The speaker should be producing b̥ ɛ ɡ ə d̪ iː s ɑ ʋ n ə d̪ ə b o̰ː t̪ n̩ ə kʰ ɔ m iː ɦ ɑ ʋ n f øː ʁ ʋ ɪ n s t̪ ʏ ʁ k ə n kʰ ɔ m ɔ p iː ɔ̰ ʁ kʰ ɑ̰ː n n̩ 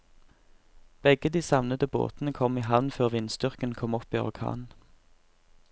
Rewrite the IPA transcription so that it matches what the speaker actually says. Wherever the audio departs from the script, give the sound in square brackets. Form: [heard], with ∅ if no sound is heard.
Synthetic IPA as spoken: b̥ ɛ ɡ ə d̪ iː s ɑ ʋ n ə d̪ ə b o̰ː t̪ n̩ ə kʰ ɔ m iː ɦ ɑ ʋ n f øː ʁ ʋ ɪ n s t̪ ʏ ʁ k ə n kʰ ɔ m ɔ p iː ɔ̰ ʁ kʰ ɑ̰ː n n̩